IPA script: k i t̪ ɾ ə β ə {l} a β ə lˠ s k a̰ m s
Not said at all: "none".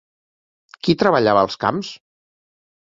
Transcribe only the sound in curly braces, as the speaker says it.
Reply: ʎ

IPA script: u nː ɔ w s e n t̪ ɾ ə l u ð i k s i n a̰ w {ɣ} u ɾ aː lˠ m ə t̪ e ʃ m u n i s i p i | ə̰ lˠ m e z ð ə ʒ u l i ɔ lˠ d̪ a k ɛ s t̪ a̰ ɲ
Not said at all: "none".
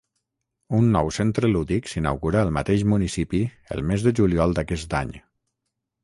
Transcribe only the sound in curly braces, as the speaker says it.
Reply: ɣ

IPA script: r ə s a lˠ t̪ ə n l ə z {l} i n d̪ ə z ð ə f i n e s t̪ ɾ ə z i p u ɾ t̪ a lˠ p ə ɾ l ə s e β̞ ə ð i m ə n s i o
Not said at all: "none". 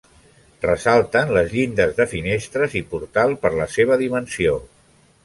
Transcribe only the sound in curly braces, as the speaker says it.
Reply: ʎ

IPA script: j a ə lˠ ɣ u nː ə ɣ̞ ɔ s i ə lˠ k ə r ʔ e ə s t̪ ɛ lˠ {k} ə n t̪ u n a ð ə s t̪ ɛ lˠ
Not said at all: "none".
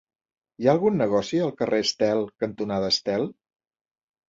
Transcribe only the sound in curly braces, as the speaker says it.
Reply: k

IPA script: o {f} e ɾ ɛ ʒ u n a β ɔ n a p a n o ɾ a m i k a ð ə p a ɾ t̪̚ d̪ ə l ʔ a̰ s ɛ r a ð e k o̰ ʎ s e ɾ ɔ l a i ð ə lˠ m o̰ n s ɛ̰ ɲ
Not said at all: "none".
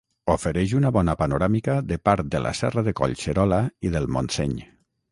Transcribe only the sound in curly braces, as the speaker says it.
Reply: f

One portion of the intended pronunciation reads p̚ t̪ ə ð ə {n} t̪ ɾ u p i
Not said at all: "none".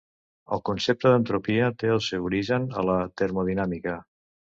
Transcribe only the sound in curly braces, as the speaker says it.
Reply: n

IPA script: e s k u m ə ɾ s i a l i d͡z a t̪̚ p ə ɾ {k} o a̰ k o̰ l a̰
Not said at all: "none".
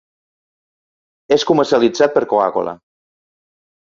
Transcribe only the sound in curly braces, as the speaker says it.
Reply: k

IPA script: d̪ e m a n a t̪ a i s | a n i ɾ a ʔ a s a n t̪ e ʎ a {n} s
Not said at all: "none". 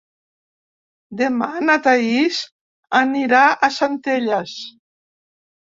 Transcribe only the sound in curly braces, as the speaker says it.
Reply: none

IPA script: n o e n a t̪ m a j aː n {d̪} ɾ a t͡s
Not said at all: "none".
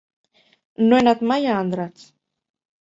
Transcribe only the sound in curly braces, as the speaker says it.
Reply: d̪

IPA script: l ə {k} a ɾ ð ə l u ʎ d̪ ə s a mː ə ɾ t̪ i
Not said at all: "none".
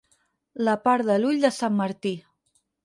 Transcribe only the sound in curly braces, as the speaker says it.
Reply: p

